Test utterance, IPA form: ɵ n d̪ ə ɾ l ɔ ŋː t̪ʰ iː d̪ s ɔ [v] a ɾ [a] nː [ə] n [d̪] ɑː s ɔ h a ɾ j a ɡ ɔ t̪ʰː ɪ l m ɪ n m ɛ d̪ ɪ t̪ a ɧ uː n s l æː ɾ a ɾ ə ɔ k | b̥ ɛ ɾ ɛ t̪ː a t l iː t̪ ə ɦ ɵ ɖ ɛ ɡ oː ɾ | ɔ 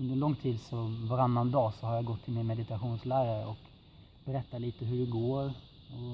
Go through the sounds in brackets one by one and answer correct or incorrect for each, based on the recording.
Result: correct, correct, incorrect, correct

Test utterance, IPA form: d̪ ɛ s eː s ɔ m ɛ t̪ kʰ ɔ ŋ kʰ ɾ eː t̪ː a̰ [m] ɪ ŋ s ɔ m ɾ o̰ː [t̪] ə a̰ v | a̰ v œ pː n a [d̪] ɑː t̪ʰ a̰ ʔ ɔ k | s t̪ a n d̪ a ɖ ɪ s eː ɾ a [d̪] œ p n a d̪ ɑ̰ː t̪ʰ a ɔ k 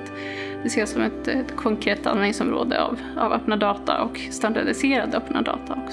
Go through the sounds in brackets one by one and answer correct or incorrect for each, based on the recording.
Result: incorrect, incorrect, correct, correct

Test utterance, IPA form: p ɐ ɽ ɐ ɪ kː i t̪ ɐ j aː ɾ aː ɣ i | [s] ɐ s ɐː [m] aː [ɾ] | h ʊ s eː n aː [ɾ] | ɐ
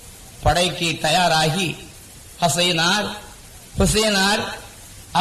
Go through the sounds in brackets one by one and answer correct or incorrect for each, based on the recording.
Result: incorrect, incorrect, correct, correct

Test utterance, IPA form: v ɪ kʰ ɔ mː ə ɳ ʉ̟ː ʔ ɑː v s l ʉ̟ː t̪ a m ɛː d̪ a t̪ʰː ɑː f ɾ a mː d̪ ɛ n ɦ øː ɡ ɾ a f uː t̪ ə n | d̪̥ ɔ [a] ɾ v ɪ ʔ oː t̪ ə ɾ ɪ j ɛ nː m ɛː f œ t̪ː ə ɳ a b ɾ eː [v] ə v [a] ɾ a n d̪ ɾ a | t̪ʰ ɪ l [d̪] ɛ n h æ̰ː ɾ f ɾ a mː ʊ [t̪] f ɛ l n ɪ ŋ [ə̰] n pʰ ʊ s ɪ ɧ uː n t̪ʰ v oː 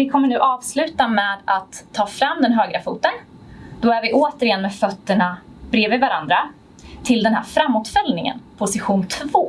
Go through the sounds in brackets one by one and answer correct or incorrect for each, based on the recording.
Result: incorrect, correct, correct, correct, correct, correct

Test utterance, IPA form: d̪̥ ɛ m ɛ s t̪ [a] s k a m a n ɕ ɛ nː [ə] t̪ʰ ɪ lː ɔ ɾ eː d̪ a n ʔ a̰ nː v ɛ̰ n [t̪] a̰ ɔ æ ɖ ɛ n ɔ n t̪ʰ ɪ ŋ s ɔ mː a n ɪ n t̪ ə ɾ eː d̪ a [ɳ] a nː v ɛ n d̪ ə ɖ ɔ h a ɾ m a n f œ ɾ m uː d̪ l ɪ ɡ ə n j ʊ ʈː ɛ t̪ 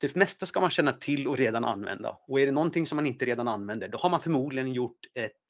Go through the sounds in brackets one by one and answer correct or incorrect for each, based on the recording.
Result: correct, incorrect, incorrect, incorrect

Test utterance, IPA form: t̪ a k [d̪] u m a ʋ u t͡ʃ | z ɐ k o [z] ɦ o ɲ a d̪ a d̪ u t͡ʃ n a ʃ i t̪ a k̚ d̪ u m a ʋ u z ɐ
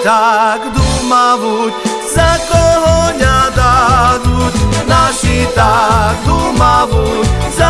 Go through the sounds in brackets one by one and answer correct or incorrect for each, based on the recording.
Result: correct, incorrect

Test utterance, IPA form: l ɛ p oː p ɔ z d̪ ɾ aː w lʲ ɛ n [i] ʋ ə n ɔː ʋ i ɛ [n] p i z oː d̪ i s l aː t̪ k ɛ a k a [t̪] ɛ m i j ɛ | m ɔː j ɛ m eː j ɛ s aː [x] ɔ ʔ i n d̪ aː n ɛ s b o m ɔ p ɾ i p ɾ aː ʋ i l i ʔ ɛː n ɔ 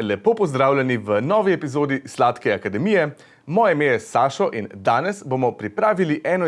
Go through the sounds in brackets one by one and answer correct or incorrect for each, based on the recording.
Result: correct, incorrect, incorrect, incorrect

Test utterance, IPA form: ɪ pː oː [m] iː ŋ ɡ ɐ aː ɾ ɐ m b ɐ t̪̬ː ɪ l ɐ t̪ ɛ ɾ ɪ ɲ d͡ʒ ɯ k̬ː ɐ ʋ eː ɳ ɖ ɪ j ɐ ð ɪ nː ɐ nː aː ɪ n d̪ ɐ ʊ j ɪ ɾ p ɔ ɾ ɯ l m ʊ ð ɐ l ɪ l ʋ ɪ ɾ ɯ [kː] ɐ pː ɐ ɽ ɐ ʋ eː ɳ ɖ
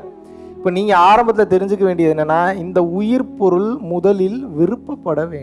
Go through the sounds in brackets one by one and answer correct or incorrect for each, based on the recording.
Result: incorrect, incorrect

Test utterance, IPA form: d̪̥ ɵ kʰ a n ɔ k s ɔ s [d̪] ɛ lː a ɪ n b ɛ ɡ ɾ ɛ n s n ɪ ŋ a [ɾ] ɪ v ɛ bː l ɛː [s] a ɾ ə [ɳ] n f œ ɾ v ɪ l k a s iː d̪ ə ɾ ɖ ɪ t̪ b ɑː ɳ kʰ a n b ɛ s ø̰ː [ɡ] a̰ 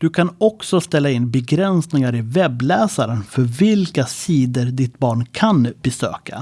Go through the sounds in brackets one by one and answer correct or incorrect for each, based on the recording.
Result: incorrect, correct, correct, incorrect, incorrect

